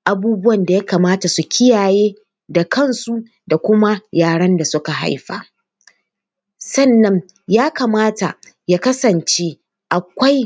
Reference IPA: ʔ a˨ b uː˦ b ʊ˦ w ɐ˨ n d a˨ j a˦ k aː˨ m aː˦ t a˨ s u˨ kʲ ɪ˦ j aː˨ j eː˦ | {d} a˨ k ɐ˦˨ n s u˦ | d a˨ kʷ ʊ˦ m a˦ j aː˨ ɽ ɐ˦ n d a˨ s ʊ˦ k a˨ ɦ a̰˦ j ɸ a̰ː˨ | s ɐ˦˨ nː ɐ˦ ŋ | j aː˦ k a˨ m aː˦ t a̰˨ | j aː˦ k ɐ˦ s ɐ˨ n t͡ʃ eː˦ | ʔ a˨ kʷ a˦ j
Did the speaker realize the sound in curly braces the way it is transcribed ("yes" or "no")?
yes